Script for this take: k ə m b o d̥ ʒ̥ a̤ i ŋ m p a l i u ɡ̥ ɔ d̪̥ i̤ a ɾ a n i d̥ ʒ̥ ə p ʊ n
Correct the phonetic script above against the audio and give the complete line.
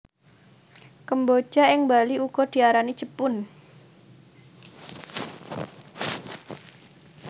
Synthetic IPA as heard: k ə m b o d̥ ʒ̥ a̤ ɪ ŋ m b a l i u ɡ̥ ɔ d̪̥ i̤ a ɾ a n i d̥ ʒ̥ ə p ʊ n